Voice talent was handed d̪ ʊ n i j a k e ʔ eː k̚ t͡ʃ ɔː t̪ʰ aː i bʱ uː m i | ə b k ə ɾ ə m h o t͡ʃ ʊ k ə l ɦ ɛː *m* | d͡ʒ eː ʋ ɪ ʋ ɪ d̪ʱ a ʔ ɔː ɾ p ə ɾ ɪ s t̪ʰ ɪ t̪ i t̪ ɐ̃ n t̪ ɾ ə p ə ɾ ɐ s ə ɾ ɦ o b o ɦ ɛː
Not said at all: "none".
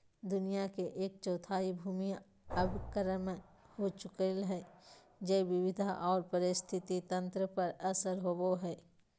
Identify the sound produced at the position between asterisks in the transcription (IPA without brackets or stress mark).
none